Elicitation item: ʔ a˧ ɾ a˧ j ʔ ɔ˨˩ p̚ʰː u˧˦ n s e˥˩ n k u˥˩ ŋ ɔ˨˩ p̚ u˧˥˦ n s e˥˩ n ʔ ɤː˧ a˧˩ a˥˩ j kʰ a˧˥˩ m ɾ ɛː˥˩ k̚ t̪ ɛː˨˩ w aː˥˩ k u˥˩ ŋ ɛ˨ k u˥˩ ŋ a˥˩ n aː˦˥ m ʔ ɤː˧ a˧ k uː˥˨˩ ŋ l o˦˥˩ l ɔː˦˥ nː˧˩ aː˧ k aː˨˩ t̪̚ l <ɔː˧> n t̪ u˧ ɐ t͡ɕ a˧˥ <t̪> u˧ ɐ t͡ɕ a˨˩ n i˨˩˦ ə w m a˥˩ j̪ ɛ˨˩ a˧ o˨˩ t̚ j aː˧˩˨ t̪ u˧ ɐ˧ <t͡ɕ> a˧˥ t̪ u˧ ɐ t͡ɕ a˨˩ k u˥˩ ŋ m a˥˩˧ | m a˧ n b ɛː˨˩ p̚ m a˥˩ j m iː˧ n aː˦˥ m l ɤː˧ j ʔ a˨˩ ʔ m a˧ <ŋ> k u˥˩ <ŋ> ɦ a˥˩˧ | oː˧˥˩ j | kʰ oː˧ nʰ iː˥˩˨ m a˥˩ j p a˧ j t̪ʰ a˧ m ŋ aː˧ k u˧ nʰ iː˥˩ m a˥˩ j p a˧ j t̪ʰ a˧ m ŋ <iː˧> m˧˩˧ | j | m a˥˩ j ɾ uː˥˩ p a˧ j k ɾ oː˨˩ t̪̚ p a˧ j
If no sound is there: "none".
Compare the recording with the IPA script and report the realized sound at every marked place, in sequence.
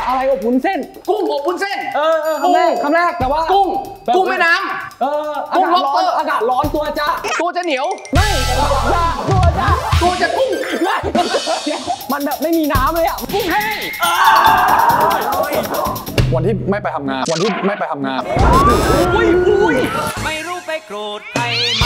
ɔː˦˥, t̪, t͡ɕ, n, ŋ, aː˧

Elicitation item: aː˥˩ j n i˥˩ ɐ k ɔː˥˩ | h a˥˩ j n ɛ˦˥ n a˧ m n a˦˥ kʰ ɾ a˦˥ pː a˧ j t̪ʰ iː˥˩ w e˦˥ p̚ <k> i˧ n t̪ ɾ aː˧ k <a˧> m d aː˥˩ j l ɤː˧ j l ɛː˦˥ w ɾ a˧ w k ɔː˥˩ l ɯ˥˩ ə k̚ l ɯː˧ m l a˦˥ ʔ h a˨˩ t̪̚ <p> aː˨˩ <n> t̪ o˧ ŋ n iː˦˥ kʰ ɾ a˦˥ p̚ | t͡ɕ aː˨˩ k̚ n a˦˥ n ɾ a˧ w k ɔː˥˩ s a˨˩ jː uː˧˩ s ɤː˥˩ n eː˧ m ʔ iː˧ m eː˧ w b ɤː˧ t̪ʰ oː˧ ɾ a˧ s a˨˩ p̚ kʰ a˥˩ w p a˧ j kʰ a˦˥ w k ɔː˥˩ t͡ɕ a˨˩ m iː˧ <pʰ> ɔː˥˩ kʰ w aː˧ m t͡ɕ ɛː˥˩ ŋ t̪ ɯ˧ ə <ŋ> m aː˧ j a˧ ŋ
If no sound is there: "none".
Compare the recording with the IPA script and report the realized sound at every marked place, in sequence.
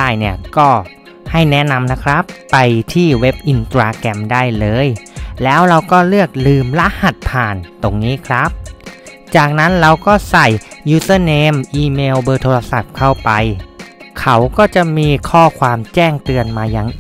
ʔ, ɛ˧, pʰ, n, kʰ, n

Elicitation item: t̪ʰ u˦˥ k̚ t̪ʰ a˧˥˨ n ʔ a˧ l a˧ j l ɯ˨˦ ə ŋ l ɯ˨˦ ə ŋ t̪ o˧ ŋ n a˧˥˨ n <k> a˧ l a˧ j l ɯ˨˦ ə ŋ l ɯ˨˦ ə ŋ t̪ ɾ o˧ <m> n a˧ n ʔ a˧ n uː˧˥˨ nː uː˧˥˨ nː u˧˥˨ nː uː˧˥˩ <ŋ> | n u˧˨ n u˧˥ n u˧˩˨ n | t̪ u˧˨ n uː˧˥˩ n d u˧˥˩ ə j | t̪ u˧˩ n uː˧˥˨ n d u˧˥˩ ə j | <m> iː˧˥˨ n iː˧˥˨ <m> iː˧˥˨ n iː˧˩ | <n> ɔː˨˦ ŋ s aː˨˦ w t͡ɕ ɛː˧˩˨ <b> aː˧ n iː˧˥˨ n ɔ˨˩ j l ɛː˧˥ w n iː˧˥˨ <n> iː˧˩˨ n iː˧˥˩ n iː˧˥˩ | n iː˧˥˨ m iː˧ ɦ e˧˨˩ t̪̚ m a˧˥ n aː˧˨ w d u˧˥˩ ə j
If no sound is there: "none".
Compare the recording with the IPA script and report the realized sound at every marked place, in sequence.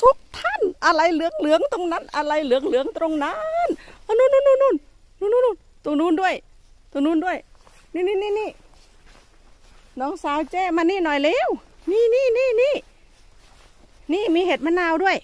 ʔ, ŋ, n, n, n, n, m, n

